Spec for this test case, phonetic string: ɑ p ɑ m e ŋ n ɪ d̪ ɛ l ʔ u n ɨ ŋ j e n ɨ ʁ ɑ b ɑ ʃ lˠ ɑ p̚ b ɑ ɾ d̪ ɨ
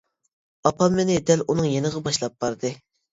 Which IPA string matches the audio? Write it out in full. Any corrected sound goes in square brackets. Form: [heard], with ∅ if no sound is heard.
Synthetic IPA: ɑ p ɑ m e [∅] n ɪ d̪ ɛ l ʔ u n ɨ ŋ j e n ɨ ʁ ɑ b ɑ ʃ lˠ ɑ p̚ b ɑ ɾ d̪ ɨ

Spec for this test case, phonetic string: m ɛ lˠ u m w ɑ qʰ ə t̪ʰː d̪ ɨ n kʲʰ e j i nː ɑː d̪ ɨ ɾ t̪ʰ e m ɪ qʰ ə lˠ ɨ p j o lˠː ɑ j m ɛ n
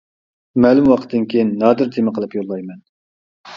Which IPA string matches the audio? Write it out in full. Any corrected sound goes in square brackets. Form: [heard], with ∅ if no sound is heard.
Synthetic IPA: m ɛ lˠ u m w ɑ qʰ ə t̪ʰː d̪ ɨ n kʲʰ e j i nː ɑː d̪ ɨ ɾ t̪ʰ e m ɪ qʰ ə lˠ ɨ p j o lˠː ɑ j m ɛ n

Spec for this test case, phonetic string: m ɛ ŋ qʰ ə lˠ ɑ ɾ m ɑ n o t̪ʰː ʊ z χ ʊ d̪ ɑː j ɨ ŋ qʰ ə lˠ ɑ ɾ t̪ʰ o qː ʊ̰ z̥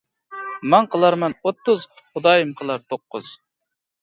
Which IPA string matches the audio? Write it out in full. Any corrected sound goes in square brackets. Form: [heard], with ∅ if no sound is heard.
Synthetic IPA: m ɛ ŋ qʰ ə lˠ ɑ ɾ m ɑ n o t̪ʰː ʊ z χ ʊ d̪ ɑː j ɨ [m] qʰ ə lˠ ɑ ɾ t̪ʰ o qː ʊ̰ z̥

